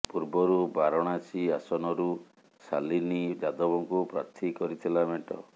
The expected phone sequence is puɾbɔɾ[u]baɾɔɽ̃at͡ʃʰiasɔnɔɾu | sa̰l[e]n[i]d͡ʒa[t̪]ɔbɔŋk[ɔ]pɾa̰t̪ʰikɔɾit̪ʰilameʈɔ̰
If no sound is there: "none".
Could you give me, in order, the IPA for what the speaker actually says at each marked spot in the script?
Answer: u, i, i, d̪, u

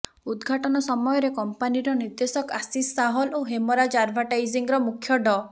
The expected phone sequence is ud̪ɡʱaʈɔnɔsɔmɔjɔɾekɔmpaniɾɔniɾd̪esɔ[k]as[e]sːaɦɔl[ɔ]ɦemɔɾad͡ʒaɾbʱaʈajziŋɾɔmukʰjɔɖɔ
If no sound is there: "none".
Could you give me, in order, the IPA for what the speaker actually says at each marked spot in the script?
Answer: k, i, o

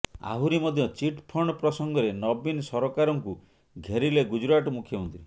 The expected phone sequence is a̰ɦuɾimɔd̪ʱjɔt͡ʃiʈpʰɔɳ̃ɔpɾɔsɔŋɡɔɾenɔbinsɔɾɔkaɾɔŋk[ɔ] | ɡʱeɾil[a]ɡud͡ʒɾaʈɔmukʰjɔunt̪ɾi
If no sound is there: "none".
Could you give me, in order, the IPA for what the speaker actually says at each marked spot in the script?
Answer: u, e

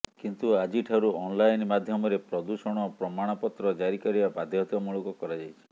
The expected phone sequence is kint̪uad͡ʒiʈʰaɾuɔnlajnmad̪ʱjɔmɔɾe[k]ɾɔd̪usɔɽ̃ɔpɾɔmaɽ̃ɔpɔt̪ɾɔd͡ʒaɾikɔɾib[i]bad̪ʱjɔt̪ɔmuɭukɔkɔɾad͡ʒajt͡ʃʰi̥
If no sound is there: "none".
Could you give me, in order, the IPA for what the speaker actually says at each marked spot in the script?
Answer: p, a

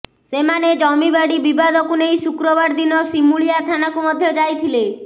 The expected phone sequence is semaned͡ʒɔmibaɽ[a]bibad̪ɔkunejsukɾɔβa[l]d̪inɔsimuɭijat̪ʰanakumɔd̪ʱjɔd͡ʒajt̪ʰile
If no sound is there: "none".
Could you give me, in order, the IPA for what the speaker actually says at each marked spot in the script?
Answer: i, ɾ

